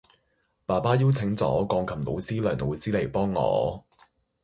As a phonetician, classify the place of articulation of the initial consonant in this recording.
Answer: labial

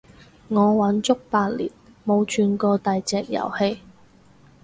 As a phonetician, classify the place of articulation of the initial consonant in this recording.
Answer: velar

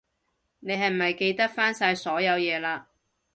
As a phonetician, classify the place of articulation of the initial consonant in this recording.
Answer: alveolar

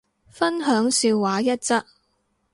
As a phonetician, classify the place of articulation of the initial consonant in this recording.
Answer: labial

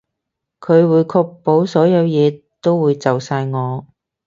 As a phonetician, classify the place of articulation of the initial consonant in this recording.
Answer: velar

